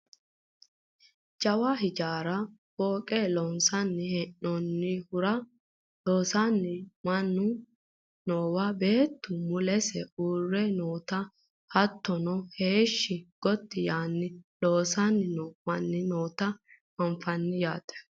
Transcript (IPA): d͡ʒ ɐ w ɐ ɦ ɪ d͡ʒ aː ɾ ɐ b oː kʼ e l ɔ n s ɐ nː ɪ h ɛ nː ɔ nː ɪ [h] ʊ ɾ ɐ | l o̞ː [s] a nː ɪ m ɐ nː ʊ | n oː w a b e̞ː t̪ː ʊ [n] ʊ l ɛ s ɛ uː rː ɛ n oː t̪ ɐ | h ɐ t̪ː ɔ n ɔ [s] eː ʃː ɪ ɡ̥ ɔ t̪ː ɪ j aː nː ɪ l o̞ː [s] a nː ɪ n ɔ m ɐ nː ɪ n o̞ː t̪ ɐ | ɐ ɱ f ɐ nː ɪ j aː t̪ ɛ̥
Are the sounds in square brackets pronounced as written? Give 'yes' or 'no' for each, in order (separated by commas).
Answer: yes, yes, no, no, yes